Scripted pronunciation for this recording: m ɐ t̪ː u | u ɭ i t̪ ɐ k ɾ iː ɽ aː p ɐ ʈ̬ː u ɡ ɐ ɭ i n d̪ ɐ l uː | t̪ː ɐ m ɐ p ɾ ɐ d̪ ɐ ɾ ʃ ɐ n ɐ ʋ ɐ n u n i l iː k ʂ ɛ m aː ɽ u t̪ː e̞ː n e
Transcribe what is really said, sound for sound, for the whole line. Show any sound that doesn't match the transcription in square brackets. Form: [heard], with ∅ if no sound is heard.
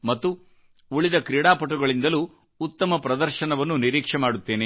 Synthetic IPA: m ɐ t̪ː u | u ɭ i [d̪] ɐ k ɾ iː ɽ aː p ɐ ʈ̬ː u ɡ ɐ ɭ i n d̪ ɐ l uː | t̪ː ɐ m ɐ p ɾ ɐ d̪ ɐ ɾ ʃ ɐ n ɐ ʋ ɐ [nː] u n i [ɾ] iː k ʂ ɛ m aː ɽ u t̪ː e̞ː n e